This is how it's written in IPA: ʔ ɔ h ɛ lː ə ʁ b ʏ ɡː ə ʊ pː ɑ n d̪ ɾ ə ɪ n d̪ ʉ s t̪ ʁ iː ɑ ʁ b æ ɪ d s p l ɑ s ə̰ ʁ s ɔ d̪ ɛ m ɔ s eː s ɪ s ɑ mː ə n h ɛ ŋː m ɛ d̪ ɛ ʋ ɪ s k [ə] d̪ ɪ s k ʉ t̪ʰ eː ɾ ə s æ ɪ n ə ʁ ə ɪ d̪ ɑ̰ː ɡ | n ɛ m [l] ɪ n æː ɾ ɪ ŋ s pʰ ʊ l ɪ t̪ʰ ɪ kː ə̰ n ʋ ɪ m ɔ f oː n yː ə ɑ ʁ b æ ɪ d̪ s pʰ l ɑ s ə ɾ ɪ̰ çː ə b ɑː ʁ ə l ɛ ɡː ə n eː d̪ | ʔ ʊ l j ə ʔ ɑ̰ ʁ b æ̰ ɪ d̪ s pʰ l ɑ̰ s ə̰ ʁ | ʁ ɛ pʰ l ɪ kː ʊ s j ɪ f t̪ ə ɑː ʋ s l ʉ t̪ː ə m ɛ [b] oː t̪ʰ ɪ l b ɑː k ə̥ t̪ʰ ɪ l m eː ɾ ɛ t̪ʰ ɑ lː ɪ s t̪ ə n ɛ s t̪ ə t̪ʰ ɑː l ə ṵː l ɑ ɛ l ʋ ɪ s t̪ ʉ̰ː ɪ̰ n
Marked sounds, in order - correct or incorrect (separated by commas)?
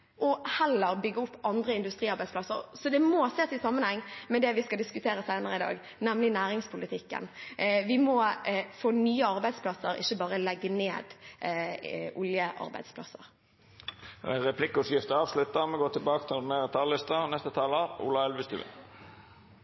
incorrect, correct, incorrect